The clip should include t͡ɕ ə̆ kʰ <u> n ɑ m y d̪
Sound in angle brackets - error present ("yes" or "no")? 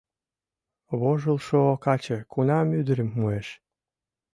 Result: no